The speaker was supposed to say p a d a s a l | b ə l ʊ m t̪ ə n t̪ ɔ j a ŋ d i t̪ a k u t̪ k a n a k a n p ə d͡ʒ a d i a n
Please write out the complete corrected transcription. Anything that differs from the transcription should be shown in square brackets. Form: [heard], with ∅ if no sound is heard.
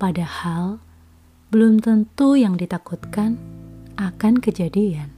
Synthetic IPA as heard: p a d a [h] a l | b ə l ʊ m t̪ ə n t̪ [u] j a ŋ d i t̪ a k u t̪ k a n a k a n [k] ə d͡ʒ a d i a n